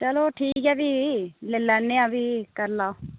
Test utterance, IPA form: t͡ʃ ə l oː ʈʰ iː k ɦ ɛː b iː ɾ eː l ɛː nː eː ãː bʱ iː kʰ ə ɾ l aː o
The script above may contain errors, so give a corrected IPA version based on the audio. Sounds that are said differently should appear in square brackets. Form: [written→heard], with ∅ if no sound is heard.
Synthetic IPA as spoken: t͡ʃ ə l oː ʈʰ iː k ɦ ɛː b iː [ɾ→l] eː l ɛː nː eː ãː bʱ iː [kʰ→k] ə ɾ l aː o